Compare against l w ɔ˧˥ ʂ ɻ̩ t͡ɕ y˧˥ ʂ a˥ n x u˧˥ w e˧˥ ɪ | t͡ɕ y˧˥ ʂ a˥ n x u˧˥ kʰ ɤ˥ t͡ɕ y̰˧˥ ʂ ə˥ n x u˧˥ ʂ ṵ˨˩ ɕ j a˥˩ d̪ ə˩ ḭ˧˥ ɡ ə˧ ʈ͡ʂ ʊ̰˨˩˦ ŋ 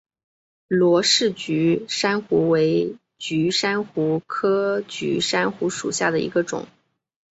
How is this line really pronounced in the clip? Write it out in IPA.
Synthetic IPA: l w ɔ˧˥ ʂ ɻ̩ t͡ɕ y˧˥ ʂ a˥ n x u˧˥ w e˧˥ ɪ | t͡ɕ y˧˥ ʂ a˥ n x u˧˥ kʰ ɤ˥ t͡ɕ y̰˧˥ ʂ a˥ n x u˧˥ ʂ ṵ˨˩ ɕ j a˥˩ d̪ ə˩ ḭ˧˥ ɡ ə˧ ʈ͡ʂ ʊ̰˨˩˦ ŋ